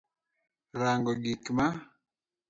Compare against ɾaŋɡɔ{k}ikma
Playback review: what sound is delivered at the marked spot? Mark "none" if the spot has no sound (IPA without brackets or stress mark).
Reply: ɡ